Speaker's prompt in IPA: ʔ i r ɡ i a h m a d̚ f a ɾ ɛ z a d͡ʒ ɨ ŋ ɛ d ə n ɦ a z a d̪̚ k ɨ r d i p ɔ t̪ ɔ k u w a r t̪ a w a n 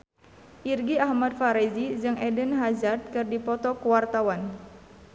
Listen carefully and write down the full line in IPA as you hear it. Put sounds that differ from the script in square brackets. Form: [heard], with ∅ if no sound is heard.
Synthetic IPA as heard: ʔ i r ɡ i a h m a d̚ f a ɾ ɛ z [i] d͡ʒ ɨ ŋ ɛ d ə n ɦ a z a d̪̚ k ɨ r d i p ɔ t̪ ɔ k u w a r t̪ a w a n